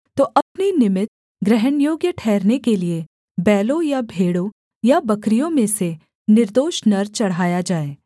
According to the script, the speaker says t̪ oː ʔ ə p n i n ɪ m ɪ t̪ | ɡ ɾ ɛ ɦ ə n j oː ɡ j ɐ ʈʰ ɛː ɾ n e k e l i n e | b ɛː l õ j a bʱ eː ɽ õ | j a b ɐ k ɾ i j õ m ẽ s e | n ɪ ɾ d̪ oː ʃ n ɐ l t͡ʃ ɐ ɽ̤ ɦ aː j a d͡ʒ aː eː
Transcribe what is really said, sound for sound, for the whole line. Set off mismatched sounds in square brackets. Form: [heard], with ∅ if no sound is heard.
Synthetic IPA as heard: t̪ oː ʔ [ɐ] p n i n ɪ m ɪ t̪ | ɡ ɾ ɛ ɦ ə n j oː ɡ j [ə] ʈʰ ɛː ɾ n e k e l i [∅] e | b ɛː l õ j a bʱ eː ɽ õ | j a b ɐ k ɾ i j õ m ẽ s e | n ɪ ɾ d̪ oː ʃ n ɐ [ɾ] t͡ʃ ɐ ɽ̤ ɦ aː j a d͡ʒ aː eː